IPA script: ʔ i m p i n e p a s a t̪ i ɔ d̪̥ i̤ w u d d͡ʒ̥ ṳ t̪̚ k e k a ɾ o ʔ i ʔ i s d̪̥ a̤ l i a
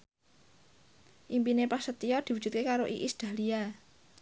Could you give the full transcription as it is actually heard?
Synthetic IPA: ʔ i m p i n e p a s ə t̪ i ɔ d̪̥ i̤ w u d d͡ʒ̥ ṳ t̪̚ k e k a ɾ o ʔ i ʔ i s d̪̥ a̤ l i a